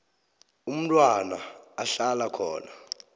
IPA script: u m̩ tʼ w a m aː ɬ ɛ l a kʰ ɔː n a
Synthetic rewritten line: u m̩ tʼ w a n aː ɬ a l a kʰ ɔː n a